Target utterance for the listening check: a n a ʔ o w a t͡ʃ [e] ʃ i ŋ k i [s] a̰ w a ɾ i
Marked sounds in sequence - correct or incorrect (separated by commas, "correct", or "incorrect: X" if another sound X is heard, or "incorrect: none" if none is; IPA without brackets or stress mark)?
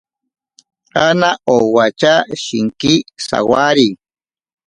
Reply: incorrect: a, correct